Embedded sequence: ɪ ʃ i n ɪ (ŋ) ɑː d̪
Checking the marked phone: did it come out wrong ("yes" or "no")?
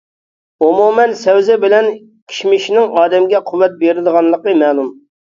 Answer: no